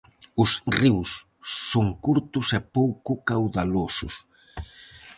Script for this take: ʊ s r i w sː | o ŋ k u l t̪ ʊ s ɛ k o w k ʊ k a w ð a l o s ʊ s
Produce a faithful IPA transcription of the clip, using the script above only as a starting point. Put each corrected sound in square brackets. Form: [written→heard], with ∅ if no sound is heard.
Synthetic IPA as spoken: ʊ s r i w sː | o ŋ k u [l→ɾ] t̪ ʊ s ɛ [k→p] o w k ʊ k a w ð a l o s ʊ s

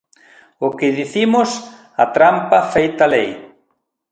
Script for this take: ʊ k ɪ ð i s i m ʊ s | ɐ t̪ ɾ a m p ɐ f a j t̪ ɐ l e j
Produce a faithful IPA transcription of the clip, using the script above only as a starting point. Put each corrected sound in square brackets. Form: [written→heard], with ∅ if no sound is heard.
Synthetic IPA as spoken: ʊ k ɪ ð i [s→θ] i m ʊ s | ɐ t̪ ɾ a m p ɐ f [a→e] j t̪ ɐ l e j

